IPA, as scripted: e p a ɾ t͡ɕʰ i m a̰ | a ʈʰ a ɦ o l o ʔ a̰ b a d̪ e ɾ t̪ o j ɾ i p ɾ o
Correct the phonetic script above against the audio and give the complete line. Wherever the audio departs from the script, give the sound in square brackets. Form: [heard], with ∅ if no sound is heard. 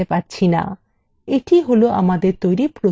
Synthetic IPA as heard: e p a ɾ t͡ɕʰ i [n] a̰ | [e] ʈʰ [i] ɦ o l o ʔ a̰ [m] a d̪ e ɾ t̪ o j ɾ i p ɾ o

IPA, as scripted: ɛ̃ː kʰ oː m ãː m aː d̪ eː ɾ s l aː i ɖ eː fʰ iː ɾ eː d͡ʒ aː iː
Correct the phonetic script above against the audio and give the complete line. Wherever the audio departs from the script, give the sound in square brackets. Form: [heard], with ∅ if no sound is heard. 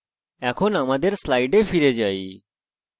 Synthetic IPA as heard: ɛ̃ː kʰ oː [n] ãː m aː d̪ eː ɾ s l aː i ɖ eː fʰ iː ɾ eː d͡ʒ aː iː

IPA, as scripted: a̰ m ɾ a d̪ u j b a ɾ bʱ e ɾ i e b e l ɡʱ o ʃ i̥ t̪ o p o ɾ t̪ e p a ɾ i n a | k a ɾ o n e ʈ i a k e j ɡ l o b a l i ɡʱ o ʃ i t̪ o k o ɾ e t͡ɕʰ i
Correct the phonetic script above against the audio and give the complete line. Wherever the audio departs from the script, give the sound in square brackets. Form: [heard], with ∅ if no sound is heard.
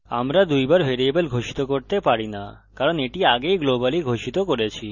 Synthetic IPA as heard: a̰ m ɾ a d̪ u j b a ɾ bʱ e ɾ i e b e l ɡʱ o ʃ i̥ t̪ o [k] o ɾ t̪ e p a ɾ i n a | k a ɾ o n e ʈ i a [ɡ] e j ɡ l o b a l i ɡʱ o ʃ i t̪ o k o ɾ e t͡ɕʰ i

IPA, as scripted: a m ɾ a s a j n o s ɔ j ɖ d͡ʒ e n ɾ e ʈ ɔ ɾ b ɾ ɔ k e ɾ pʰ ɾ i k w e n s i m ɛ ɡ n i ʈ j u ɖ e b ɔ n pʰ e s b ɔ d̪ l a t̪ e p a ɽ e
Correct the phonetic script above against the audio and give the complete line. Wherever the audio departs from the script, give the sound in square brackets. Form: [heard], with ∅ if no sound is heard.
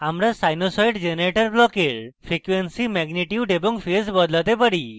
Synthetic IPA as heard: a m ɾ a s a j n o s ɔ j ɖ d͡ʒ e n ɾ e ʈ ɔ ɾ b [l] ɔ k e ɾ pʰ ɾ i k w e n s i m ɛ ɡ n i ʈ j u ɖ e b ɔ [ŋ] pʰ e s b ɔ d̪ l a t̪ e p a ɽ [i]

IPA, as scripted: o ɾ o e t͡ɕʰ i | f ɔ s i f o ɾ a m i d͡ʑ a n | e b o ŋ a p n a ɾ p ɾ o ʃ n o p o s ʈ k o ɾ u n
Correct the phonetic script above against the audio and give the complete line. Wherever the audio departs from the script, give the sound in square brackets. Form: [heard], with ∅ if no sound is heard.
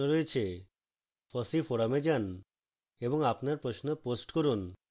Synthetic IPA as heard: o ɾ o e t͡ɕʰ [e] | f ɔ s i f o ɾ a m [e] d͡ʑ a n | e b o ŋ a p n a ɾ p ɾ o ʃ n o p o s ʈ k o ɾ u n

